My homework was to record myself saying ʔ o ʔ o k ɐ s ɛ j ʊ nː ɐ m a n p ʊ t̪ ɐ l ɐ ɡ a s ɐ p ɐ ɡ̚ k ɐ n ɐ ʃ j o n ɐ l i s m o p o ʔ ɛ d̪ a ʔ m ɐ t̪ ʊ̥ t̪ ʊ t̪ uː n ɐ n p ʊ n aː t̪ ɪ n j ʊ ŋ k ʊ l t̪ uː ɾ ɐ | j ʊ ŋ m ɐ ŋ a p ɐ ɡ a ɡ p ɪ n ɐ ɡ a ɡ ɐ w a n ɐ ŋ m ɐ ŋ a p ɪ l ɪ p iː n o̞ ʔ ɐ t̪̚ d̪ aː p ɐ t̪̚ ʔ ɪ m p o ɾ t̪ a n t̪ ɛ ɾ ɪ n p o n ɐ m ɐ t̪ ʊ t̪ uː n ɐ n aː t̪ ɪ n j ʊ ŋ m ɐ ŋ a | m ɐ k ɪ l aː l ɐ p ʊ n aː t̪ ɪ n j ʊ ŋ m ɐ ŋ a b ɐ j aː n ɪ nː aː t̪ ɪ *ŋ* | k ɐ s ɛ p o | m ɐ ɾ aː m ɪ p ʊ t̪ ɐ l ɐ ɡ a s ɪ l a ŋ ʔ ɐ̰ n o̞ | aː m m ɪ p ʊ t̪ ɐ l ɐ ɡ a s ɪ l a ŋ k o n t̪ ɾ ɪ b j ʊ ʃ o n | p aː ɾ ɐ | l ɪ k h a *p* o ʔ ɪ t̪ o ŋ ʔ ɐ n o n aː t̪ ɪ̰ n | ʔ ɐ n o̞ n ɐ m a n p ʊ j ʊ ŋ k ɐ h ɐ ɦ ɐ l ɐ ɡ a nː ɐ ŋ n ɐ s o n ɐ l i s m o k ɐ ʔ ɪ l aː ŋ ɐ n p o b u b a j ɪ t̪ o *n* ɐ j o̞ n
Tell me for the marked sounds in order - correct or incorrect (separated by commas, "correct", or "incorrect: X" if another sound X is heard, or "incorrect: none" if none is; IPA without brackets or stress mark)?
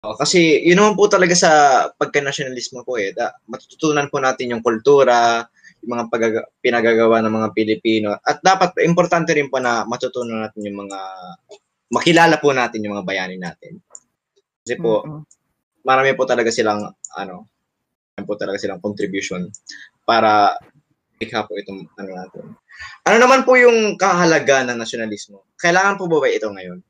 incorrect: n, correct, incorrect: ŋ